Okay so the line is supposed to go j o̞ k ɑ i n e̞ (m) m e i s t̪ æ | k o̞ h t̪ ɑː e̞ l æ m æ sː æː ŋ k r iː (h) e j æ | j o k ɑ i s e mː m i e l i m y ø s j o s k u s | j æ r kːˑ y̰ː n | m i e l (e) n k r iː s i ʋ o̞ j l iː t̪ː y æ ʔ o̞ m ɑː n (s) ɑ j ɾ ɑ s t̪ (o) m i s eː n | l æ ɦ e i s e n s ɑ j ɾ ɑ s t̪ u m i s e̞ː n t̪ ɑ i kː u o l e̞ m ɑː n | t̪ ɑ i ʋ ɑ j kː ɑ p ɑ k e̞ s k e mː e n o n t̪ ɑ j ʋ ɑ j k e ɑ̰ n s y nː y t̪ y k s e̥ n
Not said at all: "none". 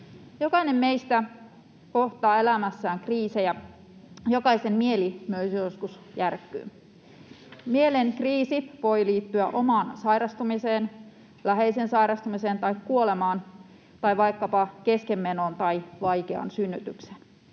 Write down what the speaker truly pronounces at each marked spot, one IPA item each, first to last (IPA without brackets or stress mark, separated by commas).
m, s, e, s, u